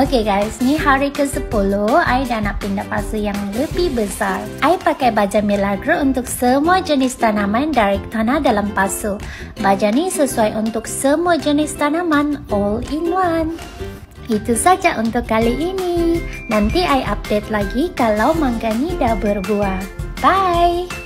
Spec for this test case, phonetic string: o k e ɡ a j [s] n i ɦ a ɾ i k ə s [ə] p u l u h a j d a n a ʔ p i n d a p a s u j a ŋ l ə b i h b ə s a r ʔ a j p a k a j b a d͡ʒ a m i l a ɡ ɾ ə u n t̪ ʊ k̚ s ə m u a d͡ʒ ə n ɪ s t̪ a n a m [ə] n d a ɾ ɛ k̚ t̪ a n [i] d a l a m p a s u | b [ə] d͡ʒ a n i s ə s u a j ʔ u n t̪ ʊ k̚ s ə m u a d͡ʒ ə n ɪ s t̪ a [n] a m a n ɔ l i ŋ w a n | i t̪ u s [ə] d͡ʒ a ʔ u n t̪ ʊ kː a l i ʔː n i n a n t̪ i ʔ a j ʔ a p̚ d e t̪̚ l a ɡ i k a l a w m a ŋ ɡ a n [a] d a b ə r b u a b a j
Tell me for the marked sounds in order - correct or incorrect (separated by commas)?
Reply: correct, correct, incorrect, incorrect, incorrect, correct, incorrect, incorrect